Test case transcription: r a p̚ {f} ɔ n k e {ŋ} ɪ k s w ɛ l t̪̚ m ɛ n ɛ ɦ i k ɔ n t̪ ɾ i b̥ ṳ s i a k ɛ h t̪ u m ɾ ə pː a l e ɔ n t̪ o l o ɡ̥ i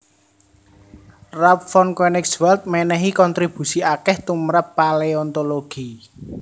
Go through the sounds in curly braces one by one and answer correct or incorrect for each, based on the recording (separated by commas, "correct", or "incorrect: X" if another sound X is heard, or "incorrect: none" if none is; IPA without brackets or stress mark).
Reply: correct, incorrect: n